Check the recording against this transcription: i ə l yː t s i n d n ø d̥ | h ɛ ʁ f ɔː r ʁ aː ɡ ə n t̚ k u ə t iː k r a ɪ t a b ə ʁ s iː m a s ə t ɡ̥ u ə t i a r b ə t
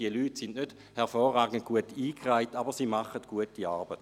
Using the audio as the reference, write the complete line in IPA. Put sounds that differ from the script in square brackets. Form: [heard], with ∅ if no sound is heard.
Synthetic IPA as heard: i ə l yː t s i n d n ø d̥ | h ɛ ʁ f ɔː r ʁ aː ɡ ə n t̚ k u ə t iː k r a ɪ t a b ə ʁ s iː m a [χ] ə t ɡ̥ u ə t i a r b ə t